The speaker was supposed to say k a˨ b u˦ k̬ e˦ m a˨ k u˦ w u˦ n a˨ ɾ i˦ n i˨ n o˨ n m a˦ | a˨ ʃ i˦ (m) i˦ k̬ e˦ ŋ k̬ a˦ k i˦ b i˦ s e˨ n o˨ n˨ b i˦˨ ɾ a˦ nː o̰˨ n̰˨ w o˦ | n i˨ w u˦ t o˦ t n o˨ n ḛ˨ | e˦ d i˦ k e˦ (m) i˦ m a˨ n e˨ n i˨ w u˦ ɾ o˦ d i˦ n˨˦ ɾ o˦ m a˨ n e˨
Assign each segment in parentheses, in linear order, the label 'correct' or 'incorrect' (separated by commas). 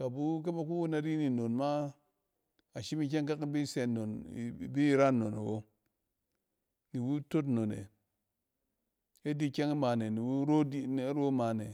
correct, incorrect